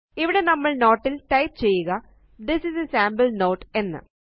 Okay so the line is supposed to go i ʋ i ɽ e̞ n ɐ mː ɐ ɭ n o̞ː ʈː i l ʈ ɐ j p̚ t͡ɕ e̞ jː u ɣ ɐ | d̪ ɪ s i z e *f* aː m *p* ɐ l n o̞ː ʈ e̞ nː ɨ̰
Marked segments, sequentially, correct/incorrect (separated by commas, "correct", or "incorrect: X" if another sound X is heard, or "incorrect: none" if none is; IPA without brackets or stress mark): incorrect: s, incorrect: b